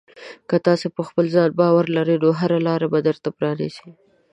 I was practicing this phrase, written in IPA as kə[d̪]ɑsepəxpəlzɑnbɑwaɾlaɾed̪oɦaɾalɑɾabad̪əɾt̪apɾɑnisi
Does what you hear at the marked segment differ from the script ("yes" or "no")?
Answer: yes